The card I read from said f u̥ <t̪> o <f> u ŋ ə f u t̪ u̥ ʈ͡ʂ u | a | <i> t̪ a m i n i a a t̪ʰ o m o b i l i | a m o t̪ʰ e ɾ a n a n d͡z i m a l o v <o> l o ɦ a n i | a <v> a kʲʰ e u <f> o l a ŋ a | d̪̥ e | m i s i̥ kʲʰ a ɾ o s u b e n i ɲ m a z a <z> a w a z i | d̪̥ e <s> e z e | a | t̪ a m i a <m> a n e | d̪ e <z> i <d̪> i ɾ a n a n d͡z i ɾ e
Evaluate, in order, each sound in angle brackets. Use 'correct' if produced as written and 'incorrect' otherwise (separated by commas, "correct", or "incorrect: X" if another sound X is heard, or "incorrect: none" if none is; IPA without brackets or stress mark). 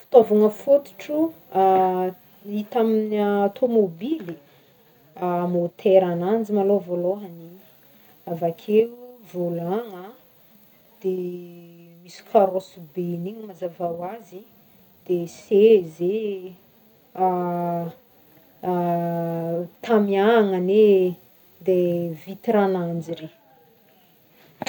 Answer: correct, incorrect: v, correct, correct, correct, incorrect: v, incorrect: v, correct, incorrect: ŋ, incorrect: v, incorrect: t̪